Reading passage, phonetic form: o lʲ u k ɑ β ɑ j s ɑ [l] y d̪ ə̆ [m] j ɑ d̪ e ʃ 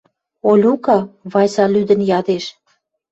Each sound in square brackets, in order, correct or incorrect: correct, incorrect

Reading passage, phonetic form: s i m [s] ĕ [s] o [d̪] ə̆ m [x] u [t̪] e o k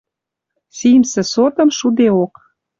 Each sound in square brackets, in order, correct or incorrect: correct, correct, incorrect, incorrect, incorrect

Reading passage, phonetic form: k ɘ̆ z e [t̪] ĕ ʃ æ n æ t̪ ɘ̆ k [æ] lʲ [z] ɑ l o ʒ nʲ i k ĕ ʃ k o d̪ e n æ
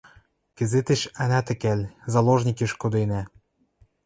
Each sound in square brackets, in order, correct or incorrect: correct, correct, correct

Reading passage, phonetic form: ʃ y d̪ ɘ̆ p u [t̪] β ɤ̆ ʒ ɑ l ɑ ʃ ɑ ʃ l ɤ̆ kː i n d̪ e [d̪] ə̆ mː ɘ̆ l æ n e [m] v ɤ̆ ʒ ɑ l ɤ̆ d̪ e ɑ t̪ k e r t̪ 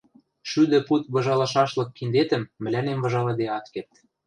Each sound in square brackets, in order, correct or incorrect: correct, incorrect, correct

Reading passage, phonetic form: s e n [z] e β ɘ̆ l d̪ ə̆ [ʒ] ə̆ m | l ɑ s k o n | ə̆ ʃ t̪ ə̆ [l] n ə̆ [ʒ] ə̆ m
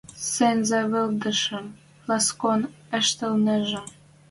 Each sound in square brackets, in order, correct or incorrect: correct, incorrect, correct, correct

